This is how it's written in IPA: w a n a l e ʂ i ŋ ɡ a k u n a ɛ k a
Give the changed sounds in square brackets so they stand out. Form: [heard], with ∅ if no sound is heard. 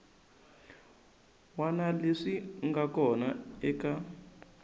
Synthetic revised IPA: w a n a l e ʂ i ŋ ɡ a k [ɔ] n a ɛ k a